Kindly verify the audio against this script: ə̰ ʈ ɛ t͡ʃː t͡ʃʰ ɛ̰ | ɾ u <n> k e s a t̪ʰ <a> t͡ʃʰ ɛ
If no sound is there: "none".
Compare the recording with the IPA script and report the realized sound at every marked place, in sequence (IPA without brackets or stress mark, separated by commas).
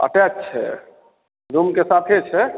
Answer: m, e